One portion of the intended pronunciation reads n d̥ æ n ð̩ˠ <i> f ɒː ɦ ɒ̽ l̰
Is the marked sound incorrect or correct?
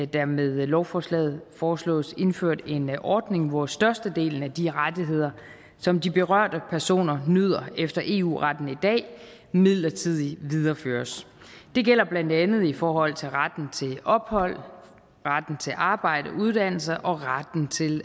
correct